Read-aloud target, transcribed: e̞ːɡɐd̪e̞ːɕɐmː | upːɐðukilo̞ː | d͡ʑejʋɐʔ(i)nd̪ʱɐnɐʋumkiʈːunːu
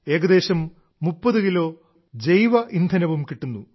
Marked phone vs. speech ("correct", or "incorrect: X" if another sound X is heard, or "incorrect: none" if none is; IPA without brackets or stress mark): correct